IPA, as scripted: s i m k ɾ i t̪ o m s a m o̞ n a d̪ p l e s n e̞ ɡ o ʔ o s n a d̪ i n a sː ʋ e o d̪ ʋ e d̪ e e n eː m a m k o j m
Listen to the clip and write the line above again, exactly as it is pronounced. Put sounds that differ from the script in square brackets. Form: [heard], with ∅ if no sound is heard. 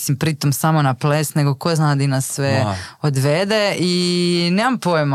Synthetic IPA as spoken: s i m [p] ɾ i t̪ o m s a m o̞ n a [∅] p l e s n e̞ ɡ o [k] o [z] n a d̪ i n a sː ʋ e o d̪ ʋ e d̪ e [i] n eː m a m [p] o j m